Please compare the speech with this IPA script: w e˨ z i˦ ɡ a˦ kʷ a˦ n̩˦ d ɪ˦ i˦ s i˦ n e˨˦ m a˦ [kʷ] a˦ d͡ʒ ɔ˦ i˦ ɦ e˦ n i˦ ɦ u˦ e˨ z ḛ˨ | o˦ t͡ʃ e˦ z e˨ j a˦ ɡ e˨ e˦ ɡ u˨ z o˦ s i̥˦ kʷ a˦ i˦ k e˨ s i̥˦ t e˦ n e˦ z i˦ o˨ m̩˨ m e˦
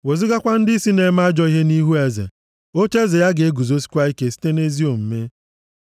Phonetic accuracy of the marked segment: incorrect: none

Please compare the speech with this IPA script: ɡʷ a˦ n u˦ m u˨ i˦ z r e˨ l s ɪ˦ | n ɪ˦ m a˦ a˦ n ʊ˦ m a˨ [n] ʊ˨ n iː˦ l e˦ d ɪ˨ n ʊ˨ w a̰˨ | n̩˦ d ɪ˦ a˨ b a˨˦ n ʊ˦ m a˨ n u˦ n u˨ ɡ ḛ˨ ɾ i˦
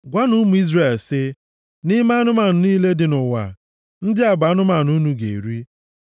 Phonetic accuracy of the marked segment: correct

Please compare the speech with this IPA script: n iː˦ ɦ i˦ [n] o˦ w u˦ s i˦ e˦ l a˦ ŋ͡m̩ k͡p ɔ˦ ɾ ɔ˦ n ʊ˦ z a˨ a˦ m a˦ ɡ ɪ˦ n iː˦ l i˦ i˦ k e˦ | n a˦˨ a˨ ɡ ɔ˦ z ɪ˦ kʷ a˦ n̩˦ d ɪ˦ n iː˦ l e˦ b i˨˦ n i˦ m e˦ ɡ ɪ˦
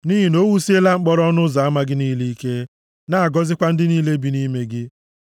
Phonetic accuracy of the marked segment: correct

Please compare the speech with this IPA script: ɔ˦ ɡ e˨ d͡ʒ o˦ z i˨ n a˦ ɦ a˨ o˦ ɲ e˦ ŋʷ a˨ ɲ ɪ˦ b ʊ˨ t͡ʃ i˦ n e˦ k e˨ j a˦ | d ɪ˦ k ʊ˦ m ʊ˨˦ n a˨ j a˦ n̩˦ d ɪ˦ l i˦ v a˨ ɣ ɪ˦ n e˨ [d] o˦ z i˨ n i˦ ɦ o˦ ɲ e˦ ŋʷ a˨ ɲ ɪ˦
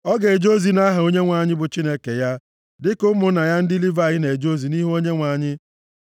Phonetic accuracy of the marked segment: incorrect: d͡ʒ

